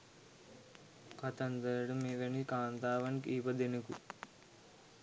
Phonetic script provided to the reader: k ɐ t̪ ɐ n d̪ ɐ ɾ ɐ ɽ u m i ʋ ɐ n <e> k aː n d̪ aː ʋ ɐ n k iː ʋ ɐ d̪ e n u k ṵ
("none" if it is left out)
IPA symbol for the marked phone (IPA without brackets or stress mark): i